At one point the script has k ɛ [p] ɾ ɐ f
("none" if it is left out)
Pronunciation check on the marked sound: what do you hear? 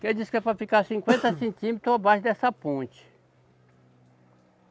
p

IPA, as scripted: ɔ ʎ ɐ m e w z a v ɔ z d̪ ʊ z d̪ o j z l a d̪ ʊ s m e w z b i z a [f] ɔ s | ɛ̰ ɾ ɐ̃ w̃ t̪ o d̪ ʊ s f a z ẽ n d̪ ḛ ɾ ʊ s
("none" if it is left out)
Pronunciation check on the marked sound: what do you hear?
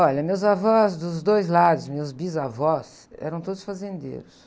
v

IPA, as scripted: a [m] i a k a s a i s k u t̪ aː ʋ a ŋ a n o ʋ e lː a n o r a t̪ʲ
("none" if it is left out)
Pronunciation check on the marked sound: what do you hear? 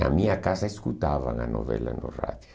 m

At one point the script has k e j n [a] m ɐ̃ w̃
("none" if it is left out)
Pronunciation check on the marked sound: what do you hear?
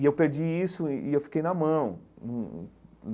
ɐ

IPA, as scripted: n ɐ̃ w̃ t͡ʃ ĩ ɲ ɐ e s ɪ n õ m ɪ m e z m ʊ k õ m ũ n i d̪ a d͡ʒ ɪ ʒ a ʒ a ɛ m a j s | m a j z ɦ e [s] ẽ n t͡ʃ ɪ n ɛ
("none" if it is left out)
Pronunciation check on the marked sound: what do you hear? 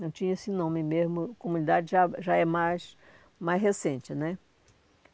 s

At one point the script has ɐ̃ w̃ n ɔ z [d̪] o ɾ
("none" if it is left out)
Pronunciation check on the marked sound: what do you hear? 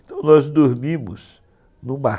d̪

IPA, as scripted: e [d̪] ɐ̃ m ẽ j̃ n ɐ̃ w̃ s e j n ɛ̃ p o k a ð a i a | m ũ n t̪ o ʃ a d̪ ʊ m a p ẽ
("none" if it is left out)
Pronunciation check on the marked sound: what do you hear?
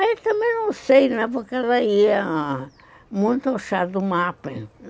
t̪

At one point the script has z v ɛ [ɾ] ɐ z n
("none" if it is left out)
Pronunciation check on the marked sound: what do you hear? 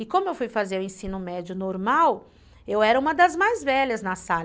ʎ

